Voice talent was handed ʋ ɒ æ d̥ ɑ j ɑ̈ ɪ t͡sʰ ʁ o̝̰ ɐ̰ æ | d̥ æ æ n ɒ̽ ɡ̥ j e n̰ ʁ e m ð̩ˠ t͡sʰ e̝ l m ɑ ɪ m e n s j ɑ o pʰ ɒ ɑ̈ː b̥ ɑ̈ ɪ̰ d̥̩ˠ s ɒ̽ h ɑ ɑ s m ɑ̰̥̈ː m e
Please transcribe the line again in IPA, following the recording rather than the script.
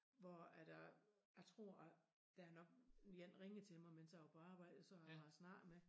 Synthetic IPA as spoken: ʋ ɒ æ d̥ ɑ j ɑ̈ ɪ t͡sʰ ʁ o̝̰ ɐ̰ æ | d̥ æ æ n ɒ̽ ɡ̥ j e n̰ ʁ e ŋ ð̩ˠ t͡sʰ e̝ l m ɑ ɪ m e n s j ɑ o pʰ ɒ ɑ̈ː b̥ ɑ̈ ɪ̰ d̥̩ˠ s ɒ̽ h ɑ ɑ s n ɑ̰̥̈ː m e